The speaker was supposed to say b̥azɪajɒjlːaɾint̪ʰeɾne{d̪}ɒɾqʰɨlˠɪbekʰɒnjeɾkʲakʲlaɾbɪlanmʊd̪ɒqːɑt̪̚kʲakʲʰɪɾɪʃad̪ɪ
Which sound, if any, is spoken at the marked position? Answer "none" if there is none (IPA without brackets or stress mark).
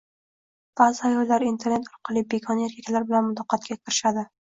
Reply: t̪